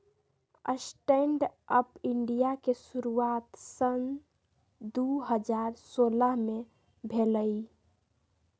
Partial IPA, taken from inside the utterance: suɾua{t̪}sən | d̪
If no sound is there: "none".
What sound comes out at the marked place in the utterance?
t̪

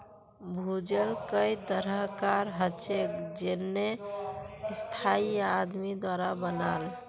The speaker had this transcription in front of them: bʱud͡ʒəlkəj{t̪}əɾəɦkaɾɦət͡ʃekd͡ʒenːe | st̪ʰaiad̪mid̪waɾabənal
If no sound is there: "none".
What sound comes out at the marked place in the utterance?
t̪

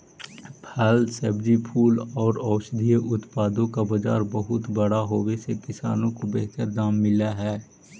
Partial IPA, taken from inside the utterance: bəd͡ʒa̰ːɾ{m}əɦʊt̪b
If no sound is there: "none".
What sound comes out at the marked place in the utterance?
b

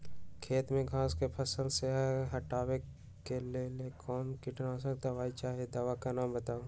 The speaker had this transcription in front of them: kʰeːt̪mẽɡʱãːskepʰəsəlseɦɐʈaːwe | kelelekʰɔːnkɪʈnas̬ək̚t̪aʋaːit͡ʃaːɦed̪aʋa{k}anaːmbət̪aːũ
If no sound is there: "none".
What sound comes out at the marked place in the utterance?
k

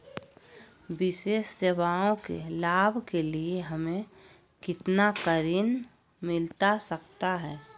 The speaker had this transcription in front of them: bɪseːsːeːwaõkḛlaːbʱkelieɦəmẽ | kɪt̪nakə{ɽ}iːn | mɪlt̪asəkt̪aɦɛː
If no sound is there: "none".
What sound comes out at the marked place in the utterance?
ɾ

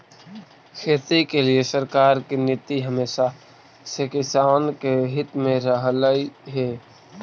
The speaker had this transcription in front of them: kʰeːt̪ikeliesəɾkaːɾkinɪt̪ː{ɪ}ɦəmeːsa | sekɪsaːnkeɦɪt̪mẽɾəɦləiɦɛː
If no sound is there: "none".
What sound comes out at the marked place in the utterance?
i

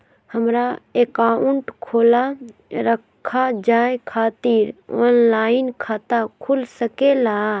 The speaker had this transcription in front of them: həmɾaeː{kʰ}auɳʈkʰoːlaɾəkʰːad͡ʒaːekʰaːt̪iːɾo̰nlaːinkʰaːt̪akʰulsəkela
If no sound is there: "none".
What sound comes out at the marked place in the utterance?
k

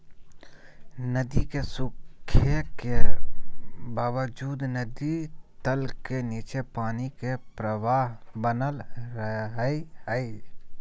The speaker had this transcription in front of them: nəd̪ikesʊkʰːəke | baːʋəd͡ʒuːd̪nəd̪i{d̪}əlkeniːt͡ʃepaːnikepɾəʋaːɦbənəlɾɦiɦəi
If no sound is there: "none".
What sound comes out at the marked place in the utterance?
t̪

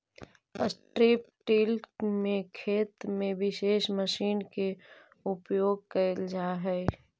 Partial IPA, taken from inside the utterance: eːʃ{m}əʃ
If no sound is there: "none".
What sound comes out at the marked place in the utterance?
m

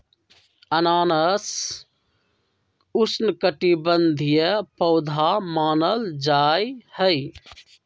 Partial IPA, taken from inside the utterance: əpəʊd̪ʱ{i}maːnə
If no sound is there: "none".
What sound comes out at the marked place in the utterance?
a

